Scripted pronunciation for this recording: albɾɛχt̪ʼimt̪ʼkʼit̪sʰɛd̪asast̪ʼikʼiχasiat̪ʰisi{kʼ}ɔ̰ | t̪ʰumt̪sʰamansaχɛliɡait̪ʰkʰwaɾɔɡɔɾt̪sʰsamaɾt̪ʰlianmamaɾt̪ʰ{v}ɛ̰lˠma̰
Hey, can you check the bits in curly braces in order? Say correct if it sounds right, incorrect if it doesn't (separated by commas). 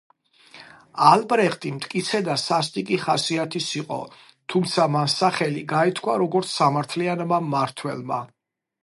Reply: incorrect, incorrect